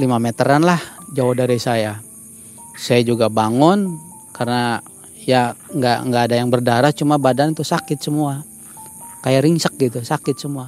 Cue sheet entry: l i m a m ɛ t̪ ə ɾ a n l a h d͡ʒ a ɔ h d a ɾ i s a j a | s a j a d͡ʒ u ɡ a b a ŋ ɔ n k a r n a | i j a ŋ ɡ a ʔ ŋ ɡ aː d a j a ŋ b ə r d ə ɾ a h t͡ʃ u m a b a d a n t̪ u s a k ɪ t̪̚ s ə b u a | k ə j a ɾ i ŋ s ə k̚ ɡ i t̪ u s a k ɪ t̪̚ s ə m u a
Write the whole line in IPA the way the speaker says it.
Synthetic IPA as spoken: l i m a m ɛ t̪ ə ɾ a n l a h d͡ʒ a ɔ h d a ɾ i s a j a | s a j a d͡ʒ u ɡ a b a ŋ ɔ n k a r n a | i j a ŋ ɡ a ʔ ŋ ɡ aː d a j a ŋ b ə r d a ɾ a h t͡ʃ u m a b a d a n t̪ u s a k ɪ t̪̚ s ə m u a | k a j a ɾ i ŋ s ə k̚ ɡ i t̪ u s a k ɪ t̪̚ s ə m u a